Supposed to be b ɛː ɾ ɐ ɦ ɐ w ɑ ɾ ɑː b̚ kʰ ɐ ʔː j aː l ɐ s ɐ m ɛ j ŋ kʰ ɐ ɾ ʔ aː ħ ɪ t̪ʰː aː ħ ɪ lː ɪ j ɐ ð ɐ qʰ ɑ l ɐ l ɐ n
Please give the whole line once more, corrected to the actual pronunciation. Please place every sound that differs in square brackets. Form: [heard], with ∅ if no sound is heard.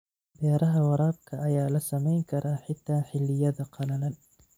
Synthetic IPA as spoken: b ɛː ɾ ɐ ɦ ɐ w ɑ ɾ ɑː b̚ kʰ ɐ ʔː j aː l ɐ s ɐ m ɛ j ŋ kʰ ɐ ɾ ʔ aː ħ ɪ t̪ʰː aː ħ ɪ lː ɪ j ɐ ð ɐ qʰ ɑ l ɐ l ɐ n

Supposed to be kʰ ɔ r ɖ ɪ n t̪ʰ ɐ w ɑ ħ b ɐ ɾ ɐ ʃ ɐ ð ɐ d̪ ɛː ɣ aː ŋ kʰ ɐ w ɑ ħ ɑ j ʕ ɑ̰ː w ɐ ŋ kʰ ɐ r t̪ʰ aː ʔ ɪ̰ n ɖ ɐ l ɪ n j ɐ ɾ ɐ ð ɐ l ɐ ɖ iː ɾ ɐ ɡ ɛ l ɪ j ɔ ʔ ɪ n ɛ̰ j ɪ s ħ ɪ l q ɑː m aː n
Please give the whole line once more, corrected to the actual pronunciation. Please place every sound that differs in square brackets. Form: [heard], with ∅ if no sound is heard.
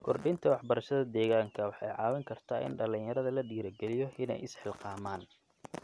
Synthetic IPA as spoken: kʰ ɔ r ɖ ɪ n t̪ʰ ɐ w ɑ ħ b ɐ ɾ ɐ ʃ ɐ ð ɐ d̪ ɛː ɣ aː ŋ kʰ ɐ w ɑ ħ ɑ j ʕ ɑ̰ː w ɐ ŋ kʰ ɐ r t̪ʰ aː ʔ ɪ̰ n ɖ ɐ l ɪ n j ɐ ɾ ɐ ð ɐ l ɐ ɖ iː ɾ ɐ ɡ ɛ l ɪ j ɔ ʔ ɪ n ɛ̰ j ɪ s ħ ɪ l q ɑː m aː n

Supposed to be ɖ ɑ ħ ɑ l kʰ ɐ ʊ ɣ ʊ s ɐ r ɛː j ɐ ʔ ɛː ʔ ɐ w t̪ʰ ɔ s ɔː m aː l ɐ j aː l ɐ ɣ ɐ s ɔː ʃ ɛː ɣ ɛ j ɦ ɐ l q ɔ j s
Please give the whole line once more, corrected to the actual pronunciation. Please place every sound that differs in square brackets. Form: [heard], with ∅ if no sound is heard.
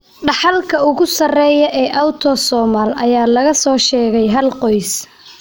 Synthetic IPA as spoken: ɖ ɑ ħ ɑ l kʰ ɐ ʊ ɣ ʊ s ɐ r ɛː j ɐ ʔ ɛː ʔ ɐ w t̪ʰ ɔ s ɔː m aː l ɐ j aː l ɐ ɣ ɐ s ɔː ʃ ɛː ɣ ɛ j ɦ ɐ l q ɔ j s

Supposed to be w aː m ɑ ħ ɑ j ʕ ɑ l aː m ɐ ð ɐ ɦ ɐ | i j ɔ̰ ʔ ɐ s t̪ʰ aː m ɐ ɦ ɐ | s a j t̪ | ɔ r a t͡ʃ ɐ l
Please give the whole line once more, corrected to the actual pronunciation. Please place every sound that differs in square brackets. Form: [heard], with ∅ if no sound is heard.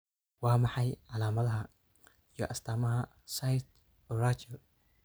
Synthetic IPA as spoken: w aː m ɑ ħ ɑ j ʕ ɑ l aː m ɐ ð ɐ ɦ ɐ | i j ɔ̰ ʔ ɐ s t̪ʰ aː m ɐ ɦ ɐ | s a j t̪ | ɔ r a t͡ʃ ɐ l

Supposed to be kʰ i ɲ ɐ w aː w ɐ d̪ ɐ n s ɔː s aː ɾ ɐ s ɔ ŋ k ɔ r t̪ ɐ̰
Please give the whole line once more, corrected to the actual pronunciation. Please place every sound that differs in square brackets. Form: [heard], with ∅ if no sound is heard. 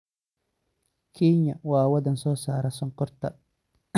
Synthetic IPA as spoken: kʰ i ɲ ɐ w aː w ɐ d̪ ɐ n s ɔː s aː ɾ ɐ s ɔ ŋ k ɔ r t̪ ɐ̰

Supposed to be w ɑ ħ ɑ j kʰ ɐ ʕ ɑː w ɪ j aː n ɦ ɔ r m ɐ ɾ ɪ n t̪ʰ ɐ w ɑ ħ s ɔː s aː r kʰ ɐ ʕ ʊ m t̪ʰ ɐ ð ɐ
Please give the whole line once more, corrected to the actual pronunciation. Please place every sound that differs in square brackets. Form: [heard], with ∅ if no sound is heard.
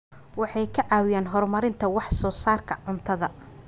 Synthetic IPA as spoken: w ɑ ħ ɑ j kʰ ɐ ʕ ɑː w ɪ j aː n ɦ ɔ r m ɐ ɾ ɪ n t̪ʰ ɐ w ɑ ħ s ɔː s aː r kʰ ɐ ʕ ʊ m t̪ʰ ɐ ð ɐ

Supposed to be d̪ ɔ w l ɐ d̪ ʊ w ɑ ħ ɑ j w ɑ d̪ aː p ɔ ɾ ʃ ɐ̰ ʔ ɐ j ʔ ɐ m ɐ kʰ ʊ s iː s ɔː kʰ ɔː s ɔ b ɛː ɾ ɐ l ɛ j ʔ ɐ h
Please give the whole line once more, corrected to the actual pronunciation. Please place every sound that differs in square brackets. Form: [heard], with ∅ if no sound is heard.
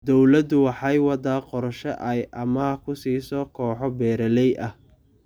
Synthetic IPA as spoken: d̪ ɔ w l ɐ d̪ ʊ w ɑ ħ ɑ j w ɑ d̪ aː [q] ɔ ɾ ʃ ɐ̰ ʔ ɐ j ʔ ɐ m ɐ kʰ ʊ s iː s ɔː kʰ ɔː [ħ] ɔ b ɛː ɾ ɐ l ɛ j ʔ ɐ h

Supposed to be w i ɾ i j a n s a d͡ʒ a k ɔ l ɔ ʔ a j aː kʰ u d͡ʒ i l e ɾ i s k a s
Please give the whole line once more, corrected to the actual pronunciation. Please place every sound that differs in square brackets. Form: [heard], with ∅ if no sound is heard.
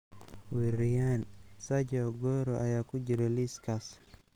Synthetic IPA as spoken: w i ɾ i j a n s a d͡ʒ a [ɡ] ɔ [ɾ] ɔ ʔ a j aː [k] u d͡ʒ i [ɾ] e [l] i s k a s

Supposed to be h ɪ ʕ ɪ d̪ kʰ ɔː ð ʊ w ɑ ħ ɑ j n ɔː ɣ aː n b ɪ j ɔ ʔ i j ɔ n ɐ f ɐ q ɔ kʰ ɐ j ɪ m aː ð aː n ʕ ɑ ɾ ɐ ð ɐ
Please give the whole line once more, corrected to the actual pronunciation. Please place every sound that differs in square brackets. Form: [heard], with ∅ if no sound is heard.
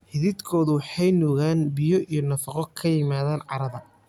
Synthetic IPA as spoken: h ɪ [ð] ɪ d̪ kʰ ɔː ð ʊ w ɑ ħ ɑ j n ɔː ɣ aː n b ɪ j ɔ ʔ i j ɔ n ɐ f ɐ q ɔ kʰ ɐ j ɪ m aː ð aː n ʕ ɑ ɾ ɐ ð ɐ

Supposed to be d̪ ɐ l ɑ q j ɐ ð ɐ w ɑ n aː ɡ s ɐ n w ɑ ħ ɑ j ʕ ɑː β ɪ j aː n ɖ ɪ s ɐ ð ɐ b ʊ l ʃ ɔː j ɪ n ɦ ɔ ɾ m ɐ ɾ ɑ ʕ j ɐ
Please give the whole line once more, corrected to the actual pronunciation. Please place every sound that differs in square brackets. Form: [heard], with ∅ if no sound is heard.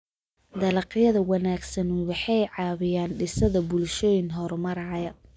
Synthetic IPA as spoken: d̪ ɐ l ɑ q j ɐ ð ɐ w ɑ n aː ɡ s ɐ n w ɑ ħ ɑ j ʕ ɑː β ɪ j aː n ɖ ɪ s ɐ ð ɐ b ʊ l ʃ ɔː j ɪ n ɦ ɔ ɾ m ɐ ɾ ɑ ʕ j ɐ

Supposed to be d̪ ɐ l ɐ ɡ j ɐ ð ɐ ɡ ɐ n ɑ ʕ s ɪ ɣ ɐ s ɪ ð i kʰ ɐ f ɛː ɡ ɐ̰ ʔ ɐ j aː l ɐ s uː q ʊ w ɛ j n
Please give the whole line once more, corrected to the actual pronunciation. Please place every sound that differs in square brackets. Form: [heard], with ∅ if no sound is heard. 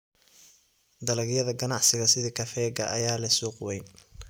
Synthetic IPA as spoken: d̪ ɐ l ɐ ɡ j ɐ ð ɐ ɡ ɐ n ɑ ʕ s ɪ ɣ ɐ s ɪ ð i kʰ ɐ f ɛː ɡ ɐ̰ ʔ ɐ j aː l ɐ s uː q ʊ w ɛ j n

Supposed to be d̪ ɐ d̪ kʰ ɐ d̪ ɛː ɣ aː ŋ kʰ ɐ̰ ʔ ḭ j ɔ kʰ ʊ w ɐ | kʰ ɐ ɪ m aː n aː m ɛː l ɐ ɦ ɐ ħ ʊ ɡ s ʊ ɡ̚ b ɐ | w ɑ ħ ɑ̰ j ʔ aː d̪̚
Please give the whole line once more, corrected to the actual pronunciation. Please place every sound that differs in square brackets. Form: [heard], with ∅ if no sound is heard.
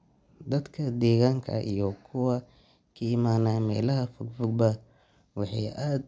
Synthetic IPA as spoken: d̪ ɐ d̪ kʰ ɐ d̪ ɛː ɣ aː ŋ kʰ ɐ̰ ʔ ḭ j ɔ kʰ ʊ w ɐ | kʰ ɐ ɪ m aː n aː m ɛː l ɐ ɦ ɐ [f] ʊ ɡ [f] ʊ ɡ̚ b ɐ | w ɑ ħ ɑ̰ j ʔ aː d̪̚

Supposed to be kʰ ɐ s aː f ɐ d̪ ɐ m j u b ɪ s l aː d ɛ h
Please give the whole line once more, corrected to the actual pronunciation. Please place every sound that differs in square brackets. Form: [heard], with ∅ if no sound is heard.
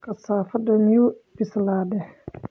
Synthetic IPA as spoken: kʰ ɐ s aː f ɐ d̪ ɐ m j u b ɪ s l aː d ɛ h

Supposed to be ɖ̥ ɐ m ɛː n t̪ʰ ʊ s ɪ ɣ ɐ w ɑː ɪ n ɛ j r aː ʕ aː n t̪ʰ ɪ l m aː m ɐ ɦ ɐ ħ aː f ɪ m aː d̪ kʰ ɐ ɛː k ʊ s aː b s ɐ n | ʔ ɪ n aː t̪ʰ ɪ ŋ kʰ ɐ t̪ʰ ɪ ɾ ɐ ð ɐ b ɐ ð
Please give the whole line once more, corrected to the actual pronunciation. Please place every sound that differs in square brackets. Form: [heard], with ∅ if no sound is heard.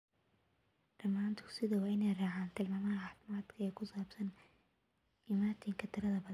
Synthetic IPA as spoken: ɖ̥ ɐ m [aː] n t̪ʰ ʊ s ɪ [ð] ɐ w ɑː ɪ n ɛ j r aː ʕ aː n t̪ʰ ɪ l m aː m ɐ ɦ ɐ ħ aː f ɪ m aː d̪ kʰ ɐ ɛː [kʰ] ʊ s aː b s ɐ n | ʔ ɪ [m] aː t̪ʰ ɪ ŋ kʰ ɐ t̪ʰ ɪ ɾ ɐ ð ɐ b ɐ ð

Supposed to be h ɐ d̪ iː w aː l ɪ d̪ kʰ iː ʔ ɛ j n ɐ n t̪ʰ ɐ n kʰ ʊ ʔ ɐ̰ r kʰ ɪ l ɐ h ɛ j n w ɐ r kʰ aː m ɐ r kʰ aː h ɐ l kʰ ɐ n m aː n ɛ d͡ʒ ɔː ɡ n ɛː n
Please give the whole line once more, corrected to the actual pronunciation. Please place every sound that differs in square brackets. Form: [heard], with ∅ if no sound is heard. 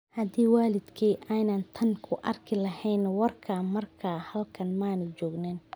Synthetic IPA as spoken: h ɐ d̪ iː w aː l ɪ d̪ kʰ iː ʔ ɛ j n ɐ n t̪ʰ ɐ n kʰ ʊ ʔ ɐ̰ r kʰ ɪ l ɐ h ɛ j n w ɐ r kʰ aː m ɐ r kʰ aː h ɐ l kʰ ɐ n m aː n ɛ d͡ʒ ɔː ɡ n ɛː n

